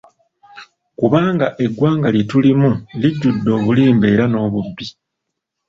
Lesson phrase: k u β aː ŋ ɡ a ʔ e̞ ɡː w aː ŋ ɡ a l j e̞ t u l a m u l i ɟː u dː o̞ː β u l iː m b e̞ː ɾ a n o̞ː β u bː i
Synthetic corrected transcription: k u β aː ŋ ɡ a ʔ e̞ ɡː w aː ŋ ɡ a l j e̞ t u l i m u l i ɟː u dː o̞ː β u l iː m b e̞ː ɾ a n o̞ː β u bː i

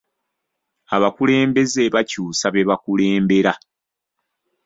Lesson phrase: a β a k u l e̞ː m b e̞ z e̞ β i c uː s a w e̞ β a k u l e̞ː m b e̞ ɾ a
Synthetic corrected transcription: a β a k u l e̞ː m b e̞ z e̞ β a c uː s a β e̞ β a k u l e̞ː m b e̞ ɾ a

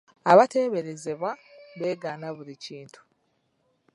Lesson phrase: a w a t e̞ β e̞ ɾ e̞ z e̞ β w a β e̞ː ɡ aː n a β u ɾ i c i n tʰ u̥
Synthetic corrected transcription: a β a t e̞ β e̞ ɾ e̞ z e̞ β w a β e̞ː ɡ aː n a β u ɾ i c iː n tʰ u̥

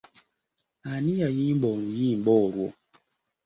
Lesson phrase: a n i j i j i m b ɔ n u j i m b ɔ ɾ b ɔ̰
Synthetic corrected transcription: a n i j a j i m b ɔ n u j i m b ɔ ɾ w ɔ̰

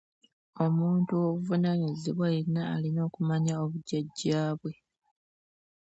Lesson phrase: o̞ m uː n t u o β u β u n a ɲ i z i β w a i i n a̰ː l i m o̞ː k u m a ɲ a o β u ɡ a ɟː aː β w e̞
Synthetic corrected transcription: o̞ m uː n t u o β u v u n a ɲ i z i β w a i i n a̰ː l i n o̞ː k u m a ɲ a o β u ɟ a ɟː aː β w e̞

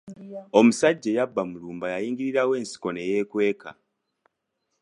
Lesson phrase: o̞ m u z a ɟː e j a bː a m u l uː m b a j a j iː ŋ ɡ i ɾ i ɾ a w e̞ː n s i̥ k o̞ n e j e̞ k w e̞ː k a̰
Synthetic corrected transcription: o̞ m u s a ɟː e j a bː a m u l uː m b a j a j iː ŋ ɡ i ɾ i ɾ a w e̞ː n s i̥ k o̞ n e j e̞ k w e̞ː k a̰

